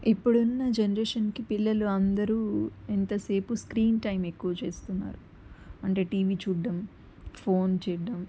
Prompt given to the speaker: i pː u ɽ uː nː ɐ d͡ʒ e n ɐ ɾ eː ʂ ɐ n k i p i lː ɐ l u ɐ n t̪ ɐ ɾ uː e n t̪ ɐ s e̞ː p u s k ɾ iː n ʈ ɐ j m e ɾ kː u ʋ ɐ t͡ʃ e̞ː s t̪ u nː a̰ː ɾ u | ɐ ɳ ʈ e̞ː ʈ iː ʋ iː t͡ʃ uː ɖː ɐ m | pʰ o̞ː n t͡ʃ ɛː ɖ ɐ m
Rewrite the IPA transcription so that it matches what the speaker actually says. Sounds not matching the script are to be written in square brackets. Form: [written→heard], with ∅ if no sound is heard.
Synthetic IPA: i pː u ɽ [uː→u] nː ɐ d͡ʒ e n ɐ ɾ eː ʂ ɐ n k i p i lː ɐ l u ɐ n [t̪→d̪] ɐ ɾ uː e n t̪ ɐ s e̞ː p u s k ɾ iː n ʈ ɐ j m e [ɾ→∅] kː u ʋ ɐ t͡ʃ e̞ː s t̪ u nː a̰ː ɾ u | ɐ ɳ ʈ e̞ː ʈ iː ʋ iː t͡ʃ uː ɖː ɐ m | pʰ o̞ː n t͡ʃ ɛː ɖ ɐ m